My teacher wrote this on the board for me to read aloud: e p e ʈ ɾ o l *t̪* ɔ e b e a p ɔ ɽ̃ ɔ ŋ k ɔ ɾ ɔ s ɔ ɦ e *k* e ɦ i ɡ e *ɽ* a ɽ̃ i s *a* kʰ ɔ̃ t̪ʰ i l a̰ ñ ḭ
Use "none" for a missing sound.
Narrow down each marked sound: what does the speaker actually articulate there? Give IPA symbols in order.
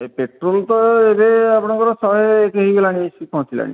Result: t̪, k, l, i

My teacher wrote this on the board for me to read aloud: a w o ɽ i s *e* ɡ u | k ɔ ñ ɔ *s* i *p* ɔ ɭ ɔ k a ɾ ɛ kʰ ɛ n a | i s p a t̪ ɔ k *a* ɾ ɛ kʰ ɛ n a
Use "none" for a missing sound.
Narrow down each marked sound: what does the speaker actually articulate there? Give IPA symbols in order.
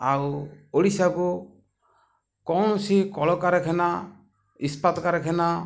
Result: a, s, k, a

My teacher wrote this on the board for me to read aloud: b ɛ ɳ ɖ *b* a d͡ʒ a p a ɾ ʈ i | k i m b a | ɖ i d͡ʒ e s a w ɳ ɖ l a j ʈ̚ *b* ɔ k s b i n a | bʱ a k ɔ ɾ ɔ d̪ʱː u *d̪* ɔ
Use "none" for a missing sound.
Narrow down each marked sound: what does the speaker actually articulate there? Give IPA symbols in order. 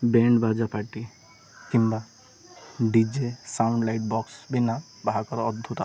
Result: b, b, t̪

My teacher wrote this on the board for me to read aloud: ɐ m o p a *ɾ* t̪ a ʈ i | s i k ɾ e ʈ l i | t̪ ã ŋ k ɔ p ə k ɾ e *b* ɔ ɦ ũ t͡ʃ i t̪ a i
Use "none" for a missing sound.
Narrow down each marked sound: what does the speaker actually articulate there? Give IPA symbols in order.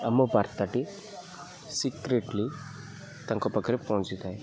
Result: ɾ, p

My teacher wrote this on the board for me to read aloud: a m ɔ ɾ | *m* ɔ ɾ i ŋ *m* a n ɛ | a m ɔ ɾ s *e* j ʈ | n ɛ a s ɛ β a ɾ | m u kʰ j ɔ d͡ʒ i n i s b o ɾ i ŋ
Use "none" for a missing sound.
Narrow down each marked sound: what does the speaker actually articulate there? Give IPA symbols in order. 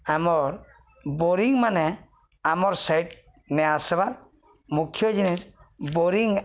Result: b, m, a

